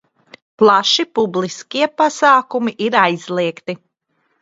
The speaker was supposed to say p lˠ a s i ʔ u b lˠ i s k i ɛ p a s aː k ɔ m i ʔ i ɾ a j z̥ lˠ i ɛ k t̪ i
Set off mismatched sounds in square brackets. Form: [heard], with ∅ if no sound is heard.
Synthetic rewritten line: p lˠ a [ʃ] i [p] u b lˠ i s k i ɛ p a s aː k [u] m i ʔ i ɾ a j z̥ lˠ i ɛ k t̪ i